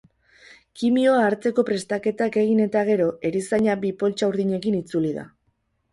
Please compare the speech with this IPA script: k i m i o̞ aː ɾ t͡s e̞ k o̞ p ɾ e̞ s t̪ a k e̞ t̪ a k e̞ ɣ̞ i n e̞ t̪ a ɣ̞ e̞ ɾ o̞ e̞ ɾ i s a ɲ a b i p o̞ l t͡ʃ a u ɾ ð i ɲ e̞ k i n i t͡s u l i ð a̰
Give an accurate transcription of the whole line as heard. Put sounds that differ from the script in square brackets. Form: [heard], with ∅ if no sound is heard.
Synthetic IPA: k i m i o̞ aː ɾ t͡s e̞ k o̞ p ɾ e̞ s t̪ a k e̞ t̪ a k e̞ ɣ̞ i n e̞ t̪ a ɣ̞ e̞ ɾ o̞ e̞ ɾ i s a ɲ a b i p o̞ l t͡ʃ a u ɾ ð i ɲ e̞ k i n i t͡s u l i ð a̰